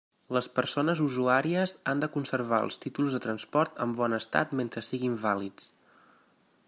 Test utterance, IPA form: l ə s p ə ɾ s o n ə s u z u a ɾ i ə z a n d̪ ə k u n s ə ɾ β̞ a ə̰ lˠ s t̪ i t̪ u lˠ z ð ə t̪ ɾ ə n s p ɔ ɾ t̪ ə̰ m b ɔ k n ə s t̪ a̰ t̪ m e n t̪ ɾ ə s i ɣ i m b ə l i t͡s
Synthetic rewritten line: l ə s p ə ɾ s o n ə z u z u a ɾ i ə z a n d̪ ə k u n s ə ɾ β̞ a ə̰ lˠ s t̪ i t̪ u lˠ z ð ə t̪ ɾ ə n s p ɔ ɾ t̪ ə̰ m b ɔ n ə s t̪ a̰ t̪ m e n t̪ ɾ ə s i ɣ i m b a l i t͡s